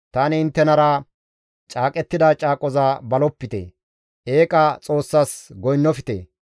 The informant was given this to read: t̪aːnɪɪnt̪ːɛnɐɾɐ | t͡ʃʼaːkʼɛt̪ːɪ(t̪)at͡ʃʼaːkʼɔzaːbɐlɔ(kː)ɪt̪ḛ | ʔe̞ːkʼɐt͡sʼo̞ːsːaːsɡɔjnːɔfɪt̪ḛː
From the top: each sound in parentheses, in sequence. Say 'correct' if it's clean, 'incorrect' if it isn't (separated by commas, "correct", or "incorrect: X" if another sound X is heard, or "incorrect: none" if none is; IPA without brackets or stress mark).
incorrect: d̪, incorrect: pː